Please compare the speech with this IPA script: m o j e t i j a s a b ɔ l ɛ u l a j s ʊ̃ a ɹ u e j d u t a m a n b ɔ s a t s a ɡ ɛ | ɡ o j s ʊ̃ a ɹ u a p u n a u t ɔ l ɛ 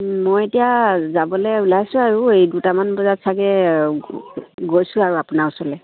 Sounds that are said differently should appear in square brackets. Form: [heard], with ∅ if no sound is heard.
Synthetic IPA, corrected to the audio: m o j e t i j a [z] a b ɔ l ɛ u l a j s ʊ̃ a ɹ u e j d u t a m a n b ɔ [z] a t s a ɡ ɛ | ɡ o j s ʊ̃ a ɹ u a p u n a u [s] ɔ l ɛ

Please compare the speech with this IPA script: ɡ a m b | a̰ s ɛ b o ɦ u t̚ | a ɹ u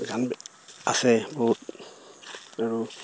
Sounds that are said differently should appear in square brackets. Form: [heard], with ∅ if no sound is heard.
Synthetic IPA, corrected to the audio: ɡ a [n] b | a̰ s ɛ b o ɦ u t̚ | a ɹ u

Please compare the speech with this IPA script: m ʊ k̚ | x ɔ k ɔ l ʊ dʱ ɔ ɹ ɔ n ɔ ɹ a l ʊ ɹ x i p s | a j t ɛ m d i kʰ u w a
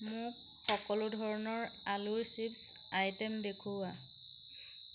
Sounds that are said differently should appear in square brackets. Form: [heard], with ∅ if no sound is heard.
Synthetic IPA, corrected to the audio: m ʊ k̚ | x ɔ k ɔ l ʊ dʱ ɔ ɹ ɔ n ɔ ɹ a l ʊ ɹ [s] i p s | a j t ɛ m d [e] kʰ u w a

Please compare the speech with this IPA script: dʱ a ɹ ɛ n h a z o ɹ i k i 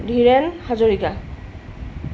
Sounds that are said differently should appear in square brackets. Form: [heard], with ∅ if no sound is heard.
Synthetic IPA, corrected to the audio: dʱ [i] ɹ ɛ n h a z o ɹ i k [a]

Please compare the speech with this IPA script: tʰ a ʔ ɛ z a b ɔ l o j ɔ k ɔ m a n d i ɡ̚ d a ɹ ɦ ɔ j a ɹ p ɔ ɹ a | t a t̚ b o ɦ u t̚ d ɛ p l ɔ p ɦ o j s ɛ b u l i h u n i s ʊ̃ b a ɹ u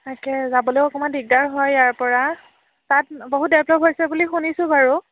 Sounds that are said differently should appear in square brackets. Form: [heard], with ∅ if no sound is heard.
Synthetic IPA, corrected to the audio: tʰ a [k] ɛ z a b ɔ l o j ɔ k ɔ m a n d i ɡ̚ d a ɹ ɦ ɔ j a ɹ p ɔ ɹ a | t a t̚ b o ɦ u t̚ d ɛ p l ɔ p ɦ o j s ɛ b u l i [x] u n i s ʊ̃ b a ɹ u

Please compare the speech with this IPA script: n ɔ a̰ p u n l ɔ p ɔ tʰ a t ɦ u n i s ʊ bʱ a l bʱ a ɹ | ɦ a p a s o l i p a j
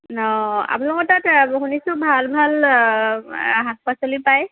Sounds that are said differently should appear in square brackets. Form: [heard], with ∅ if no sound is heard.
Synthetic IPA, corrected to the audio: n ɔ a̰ p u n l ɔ [k] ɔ [t] a t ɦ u n i s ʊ bʱ a l bʱ a [l] | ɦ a p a s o l i p a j

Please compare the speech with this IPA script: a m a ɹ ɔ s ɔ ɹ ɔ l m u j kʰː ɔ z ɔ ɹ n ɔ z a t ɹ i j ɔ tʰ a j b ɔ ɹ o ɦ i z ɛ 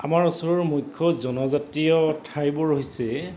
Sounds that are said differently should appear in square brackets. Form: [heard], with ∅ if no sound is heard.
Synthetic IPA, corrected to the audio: a m a ɹ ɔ s ɔ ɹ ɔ [ɹ] m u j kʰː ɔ z ɔ [∅] n ɔ z a t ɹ i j ɔ tʰ a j b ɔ ɹ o ɦ i [s] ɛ

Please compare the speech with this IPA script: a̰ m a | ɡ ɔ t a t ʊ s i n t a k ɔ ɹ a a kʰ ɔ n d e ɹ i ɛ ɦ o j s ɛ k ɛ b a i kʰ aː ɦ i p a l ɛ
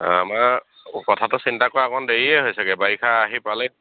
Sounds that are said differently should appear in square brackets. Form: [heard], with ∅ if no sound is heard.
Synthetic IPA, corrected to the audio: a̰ m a | [k] ɔ [tʰ] a t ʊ s i n t a k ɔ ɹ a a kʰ ɔ n d e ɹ i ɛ ɦ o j s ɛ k ɛ b a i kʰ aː ɦ i p a l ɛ

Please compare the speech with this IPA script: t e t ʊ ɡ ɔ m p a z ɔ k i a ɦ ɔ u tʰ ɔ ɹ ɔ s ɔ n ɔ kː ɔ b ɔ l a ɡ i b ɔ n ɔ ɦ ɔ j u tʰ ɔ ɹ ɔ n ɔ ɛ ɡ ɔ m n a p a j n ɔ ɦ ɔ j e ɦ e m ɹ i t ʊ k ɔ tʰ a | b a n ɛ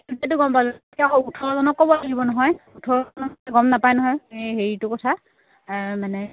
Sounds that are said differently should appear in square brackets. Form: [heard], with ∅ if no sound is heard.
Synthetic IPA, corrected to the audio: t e t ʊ ɡ ɔ m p a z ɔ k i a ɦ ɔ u tʰ ɔ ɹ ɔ [z] ɔ n ɔ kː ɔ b ɔ l a ɡ i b ɔ n ɔ ɦ ɔ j u tʰ ɔ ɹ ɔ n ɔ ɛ ɡ ɔ m n a p a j n ɔ ɦ ɔ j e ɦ e [∅] ɹ i t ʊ k ɔ tʰ a | [m] a n ɛ

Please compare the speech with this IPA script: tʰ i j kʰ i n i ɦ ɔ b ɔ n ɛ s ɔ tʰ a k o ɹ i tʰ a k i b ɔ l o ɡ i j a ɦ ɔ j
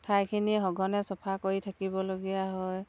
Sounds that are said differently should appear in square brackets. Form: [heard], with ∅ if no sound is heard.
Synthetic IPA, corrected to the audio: tʰ [a] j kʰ i n i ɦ ɔ [ɡ] ɔ n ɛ s ɔ [pʰ] a k o ɹ i tʰ a k i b ɔ l o ɡ i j a ɦ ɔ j

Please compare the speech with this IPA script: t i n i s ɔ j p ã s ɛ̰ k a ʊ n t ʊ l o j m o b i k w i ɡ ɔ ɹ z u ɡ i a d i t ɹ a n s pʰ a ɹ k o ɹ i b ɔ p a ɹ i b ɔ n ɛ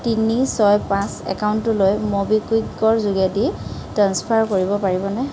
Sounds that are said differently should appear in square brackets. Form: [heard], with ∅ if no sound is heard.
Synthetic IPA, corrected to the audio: t i n i s ɔ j p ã s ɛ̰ k a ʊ n t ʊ l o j m o b i k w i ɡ ɔ ɹ z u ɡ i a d i t ɹ a n s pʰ a ɹ k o ɹ i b ɔ p a ɹ i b ɔ n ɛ

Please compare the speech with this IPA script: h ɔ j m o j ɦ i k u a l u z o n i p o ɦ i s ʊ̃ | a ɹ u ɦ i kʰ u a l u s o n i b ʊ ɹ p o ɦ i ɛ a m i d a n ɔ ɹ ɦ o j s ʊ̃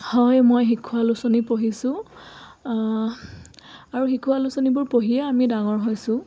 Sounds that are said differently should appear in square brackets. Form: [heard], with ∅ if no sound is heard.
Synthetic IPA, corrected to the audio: h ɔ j m o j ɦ i [kʰ] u a l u [s] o n i p o ɦ i s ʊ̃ | a ɹ u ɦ i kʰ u a l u s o n i b ʊ ɹ p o ɦ i ɛ a m i d a [ŋ] ɔ ɹ ɦ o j s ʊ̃

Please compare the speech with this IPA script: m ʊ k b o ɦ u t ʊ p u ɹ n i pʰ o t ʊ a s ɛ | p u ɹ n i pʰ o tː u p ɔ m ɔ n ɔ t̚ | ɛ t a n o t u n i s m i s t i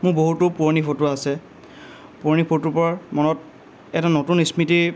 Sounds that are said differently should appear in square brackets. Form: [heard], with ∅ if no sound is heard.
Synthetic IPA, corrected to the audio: m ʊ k b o ɦ u t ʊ p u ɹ n i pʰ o t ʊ a s ɛ | p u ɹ n i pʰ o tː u p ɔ m ɔ n ɔ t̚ | ɛ t a n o t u n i s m i [∅] t i

